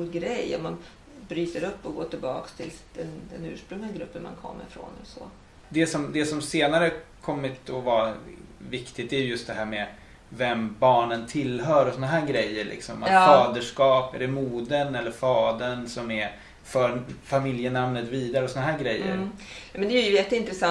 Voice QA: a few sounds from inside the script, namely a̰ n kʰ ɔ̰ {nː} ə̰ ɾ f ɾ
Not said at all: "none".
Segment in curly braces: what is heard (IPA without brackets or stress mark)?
mː